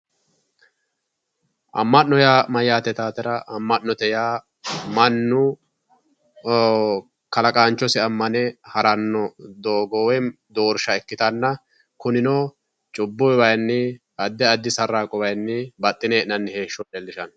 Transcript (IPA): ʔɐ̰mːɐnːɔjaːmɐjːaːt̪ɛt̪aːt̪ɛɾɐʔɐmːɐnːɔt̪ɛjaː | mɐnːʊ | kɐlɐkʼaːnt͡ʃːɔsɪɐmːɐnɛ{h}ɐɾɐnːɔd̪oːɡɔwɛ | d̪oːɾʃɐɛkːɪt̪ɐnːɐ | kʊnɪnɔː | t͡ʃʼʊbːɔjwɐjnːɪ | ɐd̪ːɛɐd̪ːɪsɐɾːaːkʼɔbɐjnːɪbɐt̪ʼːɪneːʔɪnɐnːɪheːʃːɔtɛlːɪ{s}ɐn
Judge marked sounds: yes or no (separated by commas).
yes, no